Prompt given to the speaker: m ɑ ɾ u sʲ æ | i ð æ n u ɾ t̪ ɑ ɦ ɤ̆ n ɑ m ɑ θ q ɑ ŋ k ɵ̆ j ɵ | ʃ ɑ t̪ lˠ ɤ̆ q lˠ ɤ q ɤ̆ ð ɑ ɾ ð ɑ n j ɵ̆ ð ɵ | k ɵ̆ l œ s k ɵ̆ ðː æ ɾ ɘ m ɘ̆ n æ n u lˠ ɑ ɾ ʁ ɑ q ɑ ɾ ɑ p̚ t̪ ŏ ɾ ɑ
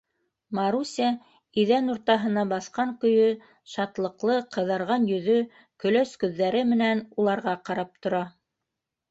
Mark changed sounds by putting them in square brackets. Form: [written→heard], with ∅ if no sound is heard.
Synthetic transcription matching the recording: m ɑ ɾ u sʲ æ | i ð æ n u ɾ t̪ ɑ ɦ ɤ̆ n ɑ [m→b] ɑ θ q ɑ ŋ k ɵ̆ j ɵ | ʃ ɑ t̪ lˠ ɤ̆ q lˠ ɤ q ɤ̆ ð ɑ ɾ [ð→ʁ] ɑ n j ɵ̆ ð ɵ | k ɵ̆ l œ s k ɵ̆ ðː æ ɾ ɘ m ɘ̆ n æ n u lˠ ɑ ɾ ʁ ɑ q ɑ ɾ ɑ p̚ t̪ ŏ ɾ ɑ

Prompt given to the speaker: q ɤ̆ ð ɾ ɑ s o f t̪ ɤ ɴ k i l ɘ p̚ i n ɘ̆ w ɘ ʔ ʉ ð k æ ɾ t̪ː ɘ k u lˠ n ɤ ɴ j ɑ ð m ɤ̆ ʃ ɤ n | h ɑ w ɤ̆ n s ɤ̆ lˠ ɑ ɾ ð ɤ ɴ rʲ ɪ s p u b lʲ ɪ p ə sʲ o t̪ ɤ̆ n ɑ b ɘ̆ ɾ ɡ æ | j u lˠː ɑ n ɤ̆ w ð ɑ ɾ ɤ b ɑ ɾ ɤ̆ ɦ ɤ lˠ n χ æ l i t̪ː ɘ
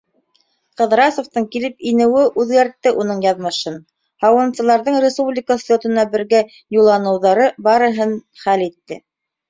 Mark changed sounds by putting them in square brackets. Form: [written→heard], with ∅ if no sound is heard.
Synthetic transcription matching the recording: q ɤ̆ ð ɾ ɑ s o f t̪ ɤ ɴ k i l ɘ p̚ i n ɘ̆ w ɘ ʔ ʉ ð [k→ɡ] æ ɾ t̪ː ɘ [k→ʔ] u [lˠ→∅] n ɤ ɴ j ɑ ð m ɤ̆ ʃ ɤ n | h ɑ w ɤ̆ n s ɤ̆ lˠ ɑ ɾ ð ɤ ɴ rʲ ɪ s p u b lʲ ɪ [p→k] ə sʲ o t̪ ɤ̆ n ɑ b ɘ̆ ɾ ɡ æ | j u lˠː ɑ n ɤ̆ w ð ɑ ɾ ɤ b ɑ ɾ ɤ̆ ɦ ɤ [lˠ→∅] n χ æ l i t̪ː ɘ

